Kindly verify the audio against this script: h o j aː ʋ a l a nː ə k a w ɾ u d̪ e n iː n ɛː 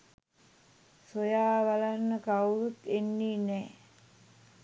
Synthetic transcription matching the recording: s o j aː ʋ a l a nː ə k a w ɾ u t̪ e nː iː n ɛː

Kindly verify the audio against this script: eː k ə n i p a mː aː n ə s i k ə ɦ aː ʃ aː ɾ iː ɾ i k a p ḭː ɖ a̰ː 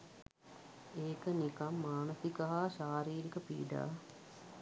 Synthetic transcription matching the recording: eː k ə n i k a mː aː n ə s i k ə ɦ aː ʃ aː ɾ iː ɾ i k ə p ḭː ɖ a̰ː

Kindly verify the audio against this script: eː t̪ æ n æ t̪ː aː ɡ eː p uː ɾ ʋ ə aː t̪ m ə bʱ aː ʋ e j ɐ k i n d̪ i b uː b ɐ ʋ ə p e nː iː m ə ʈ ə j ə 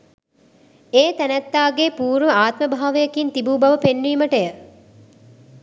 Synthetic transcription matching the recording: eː t̪ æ n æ t̪ː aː ɡ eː p uː ɾ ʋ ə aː t̪ m ə bʱ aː ʋ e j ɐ k i n t̪ i b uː b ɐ ʋ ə p e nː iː m ə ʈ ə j ə

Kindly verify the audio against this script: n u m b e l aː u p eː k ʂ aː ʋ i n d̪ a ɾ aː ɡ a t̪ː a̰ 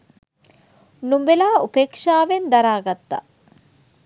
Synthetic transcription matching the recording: n u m b e l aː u p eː k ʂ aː ʋ e n d̪ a ɾ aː ɡ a t̪ː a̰

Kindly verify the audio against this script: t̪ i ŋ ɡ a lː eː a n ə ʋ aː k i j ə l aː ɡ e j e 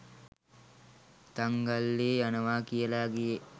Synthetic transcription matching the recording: t̪ a ŋ ɡ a lː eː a n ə ʋ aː k i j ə l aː ɡ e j e

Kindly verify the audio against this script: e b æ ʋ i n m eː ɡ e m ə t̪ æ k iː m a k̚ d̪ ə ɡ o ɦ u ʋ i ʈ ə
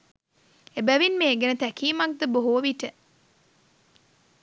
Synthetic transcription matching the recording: e b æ ʋ i n m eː ɡ e n ə t̪ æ k iː m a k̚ d̪ ə b o ɦ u ʋ i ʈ ə

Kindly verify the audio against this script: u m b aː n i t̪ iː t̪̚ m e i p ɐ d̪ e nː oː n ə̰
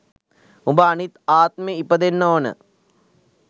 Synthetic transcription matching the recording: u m b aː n i t̪ aː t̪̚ m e i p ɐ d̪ e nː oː n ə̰

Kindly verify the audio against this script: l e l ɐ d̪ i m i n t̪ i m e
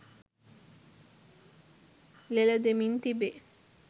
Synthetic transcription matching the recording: l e l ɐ d̪ e m i n t̪ i b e

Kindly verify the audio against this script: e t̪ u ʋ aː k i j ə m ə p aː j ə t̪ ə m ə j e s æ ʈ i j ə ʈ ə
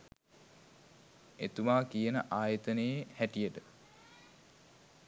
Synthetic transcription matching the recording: e t̪ u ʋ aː k i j ə n ə ʔ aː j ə t̪ ə n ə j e h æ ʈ i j ə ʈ ə

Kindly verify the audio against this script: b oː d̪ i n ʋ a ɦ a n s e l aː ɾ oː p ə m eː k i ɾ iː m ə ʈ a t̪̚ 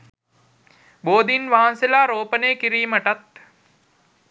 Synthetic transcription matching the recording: b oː d̪ i n ʋ a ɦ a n s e l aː ɾ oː p ə n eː k i ɾ iː m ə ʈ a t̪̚

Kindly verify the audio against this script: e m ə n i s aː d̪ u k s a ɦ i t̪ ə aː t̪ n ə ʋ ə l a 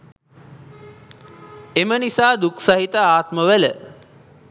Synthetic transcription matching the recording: e m ə n i s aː d̪ u k s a ɦ i t̪ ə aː t̪ m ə ʋ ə l ə

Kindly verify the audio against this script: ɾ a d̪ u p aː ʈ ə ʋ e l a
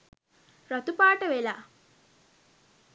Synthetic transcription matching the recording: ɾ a t̪ u p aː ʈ ə ʋ e l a

